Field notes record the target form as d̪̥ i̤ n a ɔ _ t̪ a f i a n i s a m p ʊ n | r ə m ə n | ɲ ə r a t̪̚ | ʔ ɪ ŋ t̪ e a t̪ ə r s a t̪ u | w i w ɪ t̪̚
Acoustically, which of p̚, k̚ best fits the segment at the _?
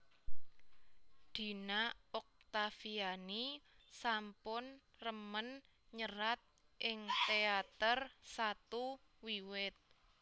k̚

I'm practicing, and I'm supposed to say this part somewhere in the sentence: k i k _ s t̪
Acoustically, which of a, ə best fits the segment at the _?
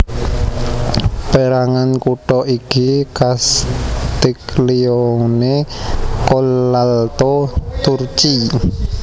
a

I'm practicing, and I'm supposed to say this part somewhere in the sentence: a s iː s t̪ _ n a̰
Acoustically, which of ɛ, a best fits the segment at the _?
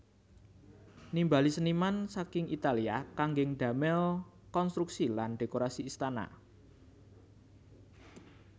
a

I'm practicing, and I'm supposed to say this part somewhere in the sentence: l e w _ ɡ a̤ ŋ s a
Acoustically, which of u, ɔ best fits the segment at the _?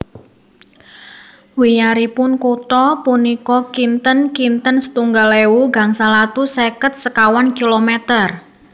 u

